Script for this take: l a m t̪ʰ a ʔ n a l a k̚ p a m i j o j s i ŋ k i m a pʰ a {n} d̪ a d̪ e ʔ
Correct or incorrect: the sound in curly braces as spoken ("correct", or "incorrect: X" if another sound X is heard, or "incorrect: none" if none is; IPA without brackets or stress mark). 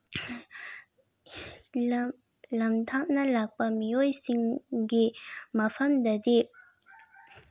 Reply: incorrect: m